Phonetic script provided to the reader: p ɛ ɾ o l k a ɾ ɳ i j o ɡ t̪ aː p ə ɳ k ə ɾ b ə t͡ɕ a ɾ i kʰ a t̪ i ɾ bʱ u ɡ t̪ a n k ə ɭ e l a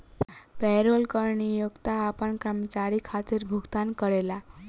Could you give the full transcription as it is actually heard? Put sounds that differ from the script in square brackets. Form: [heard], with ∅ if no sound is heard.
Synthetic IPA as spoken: p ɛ ɾ o l k [ə] ɾ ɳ i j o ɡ t̪ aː p ə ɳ k ə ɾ [m] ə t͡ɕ a ɾ i kʰ a t̪ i ɾ bʱ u ɡ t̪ a n k ə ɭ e l a

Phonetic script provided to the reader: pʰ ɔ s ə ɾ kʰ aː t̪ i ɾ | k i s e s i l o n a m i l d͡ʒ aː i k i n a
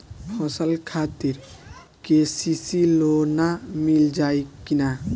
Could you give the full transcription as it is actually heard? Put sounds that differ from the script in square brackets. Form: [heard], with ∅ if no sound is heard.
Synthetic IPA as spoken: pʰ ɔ s ə [l] kʰ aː t̪ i ɾ | k [e] s [i] s i l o n a m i l d͡ʒ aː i k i n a

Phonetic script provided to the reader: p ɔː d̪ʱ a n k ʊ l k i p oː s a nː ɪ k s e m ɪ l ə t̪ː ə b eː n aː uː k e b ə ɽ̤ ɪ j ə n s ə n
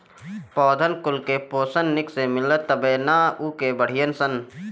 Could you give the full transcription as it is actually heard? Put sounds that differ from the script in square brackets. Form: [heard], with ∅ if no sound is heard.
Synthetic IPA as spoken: p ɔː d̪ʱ [ə] n k ʊ l k [e] p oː s [ə] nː ɪ k s e m ɪ l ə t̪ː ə b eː n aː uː k e b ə ɽ̤ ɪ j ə n s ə n

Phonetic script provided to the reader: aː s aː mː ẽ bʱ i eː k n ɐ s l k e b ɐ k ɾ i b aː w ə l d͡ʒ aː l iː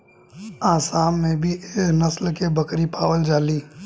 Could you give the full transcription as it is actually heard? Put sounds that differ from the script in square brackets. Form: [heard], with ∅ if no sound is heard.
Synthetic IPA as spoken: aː s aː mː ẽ bʱ i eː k n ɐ s l k e b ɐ k ɾ i [p] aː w ə l d͡ʒ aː l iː

